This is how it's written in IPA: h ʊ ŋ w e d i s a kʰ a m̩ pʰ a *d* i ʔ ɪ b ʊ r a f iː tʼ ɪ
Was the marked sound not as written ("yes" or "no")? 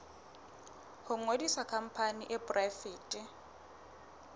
yes